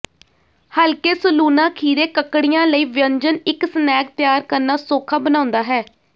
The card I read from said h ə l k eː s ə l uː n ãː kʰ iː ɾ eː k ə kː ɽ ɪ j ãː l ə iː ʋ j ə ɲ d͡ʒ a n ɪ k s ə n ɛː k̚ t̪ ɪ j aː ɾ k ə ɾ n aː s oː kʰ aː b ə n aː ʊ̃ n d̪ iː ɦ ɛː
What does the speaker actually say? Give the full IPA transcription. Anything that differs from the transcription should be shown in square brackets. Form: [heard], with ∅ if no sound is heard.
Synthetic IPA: h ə l k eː s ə l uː n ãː kʰ iː ɾ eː k ə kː ɽ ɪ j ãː l ə iː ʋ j ə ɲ d͡ʒ [ə] n ɪ k s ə n ɛː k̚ t̪ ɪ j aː ɾ k ə ɾ n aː s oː kʰ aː b ə n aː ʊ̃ n d̪ [aː] ɦ ɛː

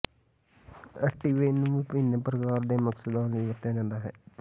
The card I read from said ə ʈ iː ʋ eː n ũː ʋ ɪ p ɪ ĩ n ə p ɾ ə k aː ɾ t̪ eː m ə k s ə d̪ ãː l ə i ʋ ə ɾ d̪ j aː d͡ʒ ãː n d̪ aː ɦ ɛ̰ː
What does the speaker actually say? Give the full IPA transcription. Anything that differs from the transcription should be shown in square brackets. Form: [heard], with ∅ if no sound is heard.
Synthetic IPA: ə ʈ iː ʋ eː n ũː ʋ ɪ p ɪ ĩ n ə p ɾ ə k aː ɾ [d̪] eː m ə k s ə d̪ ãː l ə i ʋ ə ɾ [t̪] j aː d͡ʒ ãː n d̪ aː ɦ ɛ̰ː

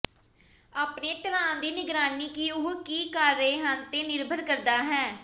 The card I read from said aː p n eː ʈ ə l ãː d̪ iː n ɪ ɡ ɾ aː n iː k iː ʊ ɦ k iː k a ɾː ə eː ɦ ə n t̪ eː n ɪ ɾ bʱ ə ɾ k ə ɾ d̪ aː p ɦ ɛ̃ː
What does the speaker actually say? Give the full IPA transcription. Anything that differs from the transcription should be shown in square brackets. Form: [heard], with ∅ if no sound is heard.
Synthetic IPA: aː p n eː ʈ ə l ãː d̪ iː n ɪ ɡ ɾ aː n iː k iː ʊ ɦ k iː k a ɾː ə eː ɦ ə n t̪ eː n ɪ ɾ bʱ ə ɾ k ə ɾ d̪ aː [∅] ɦ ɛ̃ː

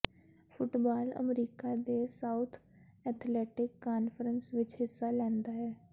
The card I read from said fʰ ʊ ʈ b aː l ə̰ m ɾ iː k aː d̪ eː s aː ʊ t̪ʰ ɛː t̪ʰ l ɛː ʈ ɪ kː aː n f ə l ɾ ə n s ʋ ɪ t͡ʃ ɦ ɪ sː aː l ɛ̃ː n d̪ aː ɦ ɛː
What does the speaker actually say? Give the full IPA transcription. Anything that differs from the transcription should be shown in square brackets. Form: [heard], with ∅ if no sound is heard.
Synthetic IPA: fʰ ʊ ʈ b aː l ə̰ m ɾ iː k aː d̪ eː s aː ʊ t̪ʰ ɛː t̪ʰ l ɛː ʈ ɪ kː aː n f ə [∅] ɾ ə n s ʋ ɪ t͡ʃ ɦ ɪ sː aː l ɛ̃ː n d̪ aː ɦ ɛː

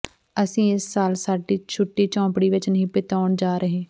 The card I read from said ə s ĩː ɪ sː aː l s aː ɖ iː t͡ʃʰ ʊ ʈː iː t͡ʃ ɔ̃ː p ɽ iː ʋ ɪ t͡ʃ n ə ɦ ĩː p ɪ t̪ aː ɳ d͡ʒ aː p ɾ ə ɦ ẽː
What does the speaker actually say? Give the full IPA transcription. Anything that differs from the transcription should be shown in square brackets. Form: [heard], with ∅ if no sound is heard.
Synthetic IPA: ə s ĩː ɪ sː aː l s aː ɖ iː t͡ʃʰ ʊ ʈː iː t͡ʃ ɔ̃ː p ɽ iː ʋ ɪ t͡ʃ n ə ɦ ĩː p ɪ t̪ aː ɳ d͡ʒ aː [∅] ɾ ə ɦ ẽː

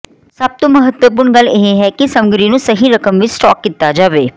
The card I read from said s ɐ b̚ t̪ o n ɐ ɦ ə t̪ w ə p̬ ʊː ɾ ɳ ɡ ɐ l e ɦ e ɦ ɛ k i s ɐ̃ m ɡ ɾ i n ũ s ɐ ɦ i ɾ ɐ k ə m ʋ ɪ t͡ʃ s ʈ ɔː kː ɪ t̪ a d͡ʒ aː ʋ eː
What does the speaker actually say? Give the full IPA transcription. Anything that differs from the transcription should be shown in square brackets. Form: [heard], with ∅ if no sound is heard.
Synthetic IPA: s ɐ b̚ t̪ o [m] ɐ ɦ ə t̪ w ə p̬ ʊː ɾ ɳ ɡ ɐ l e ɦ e ɦ ɛ k i s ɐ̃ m ɡ ɾ i n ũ s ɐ ɦ i ɾ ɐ k ə m ʋ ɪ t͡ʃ s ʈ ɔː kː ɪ t̪ a d͡ʒ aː ʋ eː

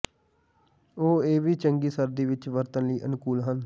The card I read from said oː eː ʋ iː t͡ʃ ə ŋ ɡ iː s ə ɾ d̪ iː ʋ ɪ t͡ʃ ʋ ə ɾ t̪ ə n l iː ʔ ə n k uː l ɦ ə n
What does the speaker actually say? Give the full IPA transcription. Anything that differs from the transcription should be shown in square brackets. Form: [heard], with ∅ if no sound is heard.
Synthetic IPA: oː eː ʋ iː t͡ʃ ə ŋ ɡ iː s ə ɾ d̪ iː ʋ ɪ t͡ʃ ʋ ə ɾ t̪ ə n l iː ʔ ə n k uː l ɦ ə n

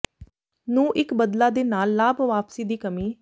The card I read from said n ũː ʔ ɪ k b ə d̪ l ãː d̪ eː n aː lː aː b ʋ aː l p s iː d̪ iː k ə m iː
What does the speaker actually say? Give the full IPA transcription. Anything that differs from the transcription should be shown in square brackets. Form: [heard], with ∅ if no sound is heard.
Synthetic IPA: n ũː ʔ ɪ k b ə d̪ l [aː] d̪ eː n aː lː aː b ʋ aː [∅] p s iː d̪ iː k ə m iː

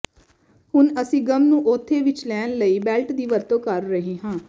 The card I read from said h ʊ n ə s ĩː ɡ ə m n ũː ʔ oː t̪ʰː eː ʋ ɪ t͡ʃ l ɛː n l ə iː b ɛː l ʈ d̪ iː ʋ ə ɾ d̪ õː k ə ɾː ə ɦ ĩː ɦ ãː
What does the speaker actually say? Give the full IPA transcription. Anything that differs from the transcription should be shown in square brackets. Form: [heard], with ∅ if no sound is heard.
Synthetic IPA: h ʊ n ə s ĩː ɡ ə m n ũː ʔ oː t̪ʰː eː ʋ ɪ t͡ʃ l ɛː n l ə iː b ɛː l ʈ d̪ iː ʋ ə ɾ [t̪] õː k ə ɾː ə ɦ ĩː ɦ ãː

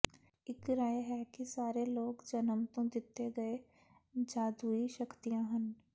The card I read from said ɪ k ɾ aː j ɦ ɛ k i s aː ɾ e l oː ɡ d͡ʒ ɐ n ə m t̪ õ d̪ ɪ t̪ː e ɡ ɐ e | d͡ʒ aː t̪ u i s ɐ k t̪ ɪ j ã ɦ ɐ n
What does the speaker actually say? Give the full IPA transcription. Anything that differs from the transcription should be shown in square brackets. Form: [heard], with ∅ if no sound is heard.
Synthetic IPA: ɪ k ɾ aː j ɦ ɛ k i s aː ɾ e l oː ɡ d͡ʒ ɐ n ə m t̪ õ d̪ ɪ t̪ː e ɡ ɐ e | d͡ʒ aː [d̪] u i [ʃ] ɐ k t̪ [i] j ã ɦ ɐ n

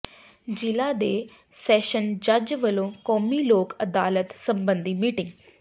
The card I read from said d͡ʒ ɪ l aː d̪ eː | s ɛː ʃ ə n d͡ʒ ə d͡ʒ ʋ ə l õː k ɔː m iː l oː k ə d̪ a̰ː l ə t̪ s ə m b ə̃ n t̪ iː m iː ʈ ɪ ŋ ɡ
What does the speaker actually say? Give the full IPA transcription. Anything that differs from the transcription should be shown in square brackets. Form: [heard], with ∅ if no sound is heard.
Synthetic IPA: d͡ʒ ɪ l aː d̪ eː | s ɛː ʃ ə n d͡ʒ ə d͡ʒ ʋ ə l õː k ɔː m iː l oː k ə d̪ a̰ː l ə t̪ s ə m b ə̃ n [d̪] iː m iː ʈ ɪ ŋ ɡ

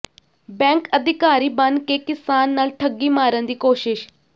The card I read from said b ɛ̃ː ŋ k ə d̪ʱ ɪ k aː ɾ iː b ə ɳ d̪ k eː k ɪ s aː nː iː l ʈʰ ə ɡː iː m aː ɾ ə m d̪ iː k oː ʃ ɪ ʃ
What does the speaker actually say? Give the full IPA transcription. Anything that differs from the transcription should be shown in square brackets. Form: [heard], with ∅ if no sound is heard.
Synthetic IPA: b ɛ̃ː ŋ k ə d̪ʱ ɪ k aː ɾ iː b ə [n] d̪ k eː k ɪ s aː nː [aː] l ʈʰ ə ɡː iː m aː ɾ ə [n] d̪ iː k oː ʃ ɪ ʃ

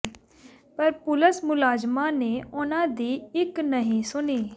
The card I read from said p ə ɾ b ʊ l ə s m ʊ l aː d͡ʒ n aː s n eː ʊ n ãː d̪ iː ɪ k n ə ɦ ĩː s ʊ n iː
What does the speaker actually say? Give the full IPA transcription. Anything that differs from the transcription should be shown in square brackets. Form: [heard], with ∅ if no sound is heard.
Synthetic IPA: p ə ɾ [p] ʊ l ə s m ʊ l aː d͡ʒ [m] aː [∅] n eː ʊ n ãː d̪ iː ɪ k n ə ɦ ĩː s ʊ n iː

